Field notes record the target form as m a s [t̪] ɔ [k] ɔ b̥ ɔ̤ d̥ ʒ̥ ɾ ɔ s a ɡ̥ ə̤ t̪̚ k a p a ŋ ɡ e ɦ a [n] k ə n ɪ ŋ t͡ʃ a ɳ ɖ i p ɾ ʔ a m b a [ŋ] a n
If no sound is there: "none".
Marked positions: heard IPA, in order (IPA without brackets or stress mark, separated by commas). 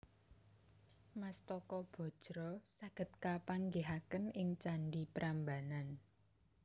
t̪, k, none, n